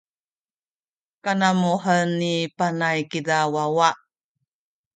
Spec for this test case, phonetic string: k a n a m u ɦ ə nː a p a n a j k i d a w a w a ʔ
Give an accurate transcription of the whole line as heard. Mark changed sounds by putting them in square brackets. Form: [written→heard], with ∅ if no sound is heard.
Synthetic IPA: k a n a m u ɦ ə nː [a→i] p a n a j k i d a w a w a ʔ